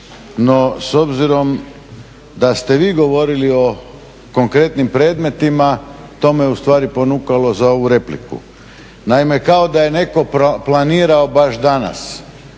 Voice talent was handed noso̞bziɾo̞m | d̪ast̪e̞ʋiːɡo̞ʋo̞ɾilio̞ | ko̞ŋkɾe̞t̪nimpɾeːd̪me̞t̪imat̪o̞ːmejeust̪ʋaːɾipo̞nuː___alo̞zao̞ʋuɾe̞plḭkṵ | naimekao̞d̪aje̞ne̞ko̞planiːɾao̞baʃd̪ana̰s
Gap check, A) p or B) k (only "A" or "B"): B